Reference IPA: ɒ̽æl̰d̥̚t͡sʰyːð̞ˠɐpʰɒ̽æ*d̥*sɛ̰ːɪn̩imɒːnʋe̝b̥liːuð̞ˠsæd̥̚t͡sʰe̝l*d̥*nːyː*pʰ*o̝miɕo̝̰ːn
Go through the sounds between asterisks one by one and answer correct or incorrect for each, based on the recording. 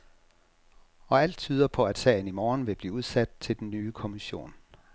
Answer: correct, correct, incorrect: kʰ

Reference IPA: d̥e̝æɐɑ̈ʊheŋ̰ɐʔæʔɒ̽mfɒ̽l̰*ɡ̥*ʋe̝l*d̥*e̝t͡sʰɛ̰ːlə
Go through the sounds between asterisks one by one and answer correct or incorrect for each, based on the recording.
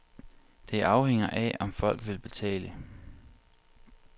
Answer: correct, incorrect: b̥

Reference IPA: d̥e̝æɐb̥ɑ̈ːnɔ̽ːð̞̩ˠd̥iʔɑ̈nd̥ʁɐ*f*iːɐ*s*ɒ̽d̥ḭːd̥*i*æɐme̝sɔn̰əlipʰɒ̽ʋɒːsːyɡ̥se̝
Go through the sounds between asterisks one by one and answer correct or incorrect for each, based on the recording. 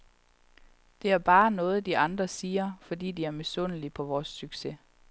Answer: incorrect: s, incorrect: f, correct

